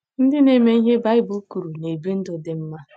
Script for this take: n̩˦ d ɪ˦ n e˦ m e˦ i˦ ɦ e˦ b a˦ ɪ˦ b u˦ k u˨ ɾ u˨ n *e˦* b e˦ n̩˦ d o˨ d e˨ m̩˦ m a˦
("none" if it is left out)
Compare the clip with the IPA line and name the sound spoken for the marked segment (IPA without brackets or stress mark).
e˨